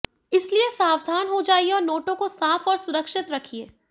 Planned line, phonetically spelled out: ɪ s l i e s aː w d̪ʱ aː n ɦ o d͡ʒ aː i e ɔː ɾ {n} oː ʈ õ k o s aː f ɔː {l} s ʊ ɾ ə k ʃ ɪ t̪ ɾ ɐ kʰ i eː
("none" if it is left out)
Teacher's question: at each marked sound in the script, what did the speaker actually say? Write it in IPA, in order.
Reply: n, ɾ

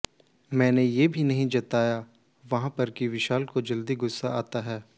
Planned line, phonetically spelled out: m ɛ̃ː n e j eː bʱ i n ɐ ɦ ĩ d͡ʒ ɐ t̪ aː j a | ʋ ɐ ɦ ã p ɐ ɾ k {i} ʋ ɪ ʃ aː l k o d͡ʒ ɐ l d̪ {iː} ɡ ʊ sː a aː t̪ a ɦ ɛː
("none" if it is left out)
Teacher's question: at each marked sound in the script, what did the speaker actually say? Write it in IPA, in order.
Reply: i, i

